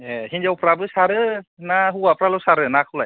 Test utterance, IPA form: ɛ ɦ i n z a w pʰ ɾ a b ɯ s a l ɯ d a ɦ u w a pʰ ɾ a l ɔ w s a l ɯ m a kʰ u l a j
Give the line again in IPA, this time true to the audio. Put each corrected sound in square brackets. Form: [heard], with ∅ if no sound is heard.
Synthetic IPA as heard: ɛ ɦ i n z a w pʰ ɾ a b ɯ s a [ɾ] ɯ [n] a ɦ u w a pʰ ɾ a l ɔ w s a [ɾ] ɯ [n] a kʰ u l a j